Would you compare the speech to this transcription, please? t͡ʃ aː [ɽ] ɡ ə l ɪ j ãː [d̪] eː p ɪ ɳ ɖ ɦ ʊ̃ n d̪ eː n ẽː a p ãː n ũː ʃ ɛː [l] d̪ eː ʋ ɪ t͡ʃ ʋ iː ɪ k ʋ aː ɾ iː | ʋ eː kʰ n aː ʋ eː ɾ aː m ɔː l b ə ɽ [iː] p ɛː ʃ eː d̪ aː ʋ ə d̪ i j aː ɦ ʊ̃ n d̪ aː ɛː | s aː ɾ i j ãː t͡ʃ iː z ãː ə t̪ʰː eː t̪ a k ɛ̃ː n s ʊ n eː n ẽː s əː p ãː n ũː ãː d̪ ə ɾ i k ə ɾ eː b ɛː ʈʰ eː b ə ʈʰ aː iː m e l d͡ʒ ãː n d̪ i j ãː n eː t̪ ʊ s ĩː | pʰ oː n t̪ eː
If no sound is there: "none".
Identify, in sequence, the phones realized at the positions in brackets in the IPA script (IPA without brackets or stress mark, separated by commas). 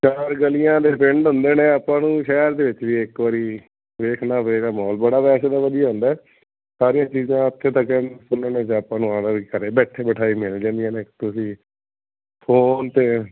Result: ɾ, d̪, ɾ, aː